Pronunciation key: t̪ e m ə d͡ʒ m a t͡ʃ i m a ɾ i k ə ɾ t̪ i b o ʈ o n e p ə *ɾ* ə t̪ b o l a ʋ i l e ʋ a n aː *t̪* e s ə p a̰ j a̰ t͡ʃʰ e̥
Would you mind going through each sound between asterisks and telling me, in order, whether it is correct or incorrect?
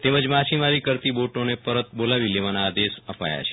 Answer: correct, incorrect

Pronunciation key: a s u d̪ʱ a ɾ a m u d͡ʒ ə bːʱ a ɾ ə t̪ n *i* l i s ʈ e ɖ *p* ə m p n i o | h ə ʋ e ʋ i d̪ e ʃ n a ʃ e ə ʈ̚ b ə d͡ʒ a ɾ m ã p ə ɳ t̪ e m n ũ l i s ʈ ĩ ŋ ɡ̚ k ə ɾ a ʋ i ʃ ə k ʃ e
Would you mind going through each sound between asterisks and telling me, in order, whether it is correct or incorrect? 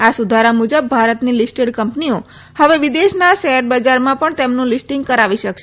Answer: correct, incorrect

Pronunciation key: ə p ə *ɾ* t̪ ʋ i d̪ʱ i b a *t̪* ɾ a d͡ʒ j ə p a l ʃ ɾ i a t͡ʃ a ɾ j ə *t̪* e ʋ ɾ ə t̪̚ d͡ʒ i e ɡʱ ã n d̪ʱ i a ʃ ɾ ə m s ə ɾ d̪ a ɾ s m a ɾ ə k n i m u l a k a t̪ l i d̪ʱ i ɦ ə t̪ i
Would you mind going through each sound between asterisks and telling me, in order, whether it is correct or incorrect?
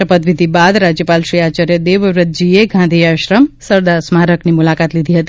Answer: incorrect, incorrect, incorrect

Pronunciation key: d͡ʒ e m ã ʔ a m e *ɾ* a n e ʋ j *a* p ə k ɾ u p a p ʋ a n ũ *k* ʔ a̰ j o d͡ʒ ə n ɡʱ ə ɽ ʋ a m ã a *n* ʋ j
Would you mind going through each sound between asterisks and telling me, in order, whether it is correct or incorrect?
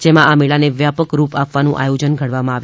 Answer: incorrect, correct, incorrect, incorrect

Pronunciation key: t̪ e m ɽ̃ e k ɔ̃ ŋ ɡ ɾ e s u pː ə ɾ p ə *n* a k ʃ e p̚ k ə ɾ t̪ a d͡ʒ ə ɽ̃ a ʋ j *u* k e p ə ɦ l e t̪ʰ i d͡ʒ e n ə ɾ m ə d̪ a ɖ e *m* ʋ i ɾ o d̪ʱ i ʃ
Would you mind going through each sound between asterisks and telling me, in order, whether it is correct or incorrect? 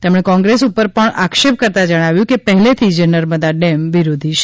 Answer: incorrect, incorrect, correct

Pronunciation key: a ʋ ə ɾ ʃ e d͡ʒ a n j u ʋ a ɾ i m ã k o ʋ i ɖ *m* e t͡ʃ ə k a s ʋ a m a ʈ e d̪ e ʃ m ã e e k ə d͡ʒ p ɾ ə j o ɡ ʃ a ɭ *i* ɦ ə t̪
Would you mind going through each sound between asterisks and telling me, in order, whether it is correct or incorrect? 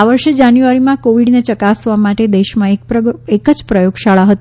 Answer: incorrect, incorrect

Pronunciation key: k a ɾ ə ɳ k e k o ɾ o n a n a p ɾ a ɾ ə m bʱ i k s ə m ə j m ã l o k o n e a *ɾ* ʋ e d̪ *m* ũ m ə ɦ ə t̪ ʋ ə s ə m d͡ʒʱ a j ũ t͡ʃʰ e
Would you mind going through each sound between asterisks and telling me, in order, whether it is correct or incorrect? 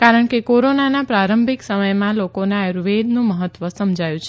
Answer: correct, incorrect

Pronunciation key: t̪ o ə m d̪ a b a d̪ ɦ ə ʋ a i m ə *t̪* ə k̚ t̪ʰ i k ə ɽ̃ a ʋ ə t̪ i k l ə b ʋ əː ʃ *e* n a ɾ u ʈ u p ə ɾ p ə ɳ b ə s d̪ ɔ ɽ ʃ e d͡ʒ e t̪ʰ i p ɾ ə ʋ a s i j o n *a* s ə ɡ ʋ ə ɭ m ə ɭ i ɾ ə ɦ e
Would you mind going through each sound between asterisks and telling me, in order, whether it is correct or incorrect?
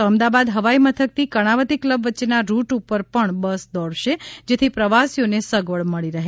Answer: incorrect, correct, incorrect

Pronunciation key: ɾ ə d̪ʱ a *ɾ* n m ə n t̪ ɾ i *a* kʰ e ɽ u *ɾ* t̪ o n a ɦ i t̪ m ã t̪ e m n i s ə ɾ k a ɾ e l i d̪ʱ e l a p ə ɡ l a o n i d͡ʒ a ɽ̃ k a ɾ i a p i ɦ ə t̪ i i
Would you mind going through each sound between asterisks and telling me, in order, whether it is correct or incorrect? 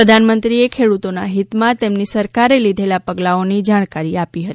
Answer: incorrect, incorrect, incorrect

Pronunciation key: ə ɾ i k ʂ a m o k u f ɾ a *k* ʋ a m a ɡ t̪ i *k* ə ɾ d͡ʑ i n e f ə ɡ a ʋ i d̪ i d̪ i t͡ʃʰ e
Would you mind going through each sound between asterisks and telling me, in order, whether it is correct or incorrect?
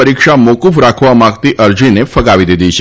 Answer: incorrect, incorrect

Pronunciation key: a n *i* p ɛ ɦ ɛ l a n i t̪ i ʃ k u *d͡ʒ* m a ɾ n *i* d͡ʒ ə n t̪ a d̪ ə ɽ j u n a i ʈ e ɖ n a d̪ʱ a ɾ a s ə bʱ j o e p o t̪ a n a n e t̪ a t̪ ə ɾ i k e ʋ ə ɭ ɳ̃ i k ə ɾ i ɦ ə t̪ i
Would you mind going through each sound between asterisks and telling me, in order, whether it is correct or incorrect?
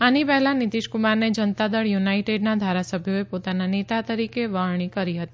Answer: correct, incorrect, incorrect

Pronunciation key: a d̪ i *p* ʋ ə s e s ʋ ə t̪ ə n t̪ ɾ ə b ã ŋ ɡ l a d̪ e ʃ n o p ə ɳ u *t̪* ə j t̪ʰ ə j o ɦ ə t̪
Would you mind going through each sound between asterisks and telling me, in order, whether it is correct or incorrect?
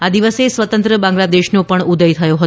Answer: incorrect, incorrect

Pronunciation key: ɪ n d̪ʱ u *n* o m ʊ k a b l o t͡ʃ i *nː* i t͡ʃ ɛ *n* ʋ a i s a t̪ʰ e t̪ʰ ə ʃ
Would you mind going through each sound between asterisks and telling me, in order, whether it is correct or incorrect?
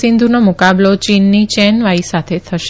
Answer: correct, correct, correct

